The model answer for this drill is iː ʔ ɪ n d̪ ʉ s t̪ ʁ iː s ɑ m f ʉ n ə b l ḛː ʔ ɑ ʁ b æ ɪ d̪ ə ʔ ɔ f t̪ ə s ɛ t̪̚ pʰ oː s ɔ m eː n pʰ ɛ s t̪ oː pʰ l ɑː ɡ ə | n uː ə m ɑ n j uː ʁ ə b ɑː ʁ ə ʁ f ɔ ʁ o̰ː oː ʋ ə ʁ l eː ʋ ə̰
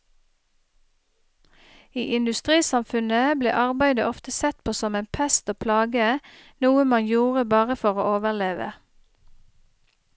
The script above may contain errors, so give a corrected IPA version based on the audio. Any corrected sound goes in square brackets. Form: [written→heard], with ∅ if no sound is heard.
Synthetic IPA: iː ʔ ɪ n d̪ ʉ s t̪ ʁ iː s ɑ m f ʉ n ə b l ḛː ʔ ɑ ʁ b æ ɪ d̪ ə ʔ ɔ f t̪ ə s ɛ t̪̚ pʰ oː s ɔ m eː n pʰ ɛ s t̪ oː pʰ l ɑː ɡ ə | n uː ə m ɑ n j uː ʁ ə b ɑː ʁ ə [ʁ→∅] f ɔ ʁ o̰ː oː ʋ ə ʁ l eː ʋ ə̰